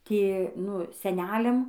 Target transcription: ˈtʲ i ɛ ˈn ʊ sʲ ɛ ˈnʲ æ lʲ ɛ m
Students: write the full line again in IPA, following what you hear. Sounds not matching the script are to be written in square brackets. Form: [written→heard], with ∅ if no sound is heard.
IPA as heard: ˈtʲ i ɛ ˈn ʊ sʲ ɛ ˈnʲ [æ→æː] lʲ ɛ m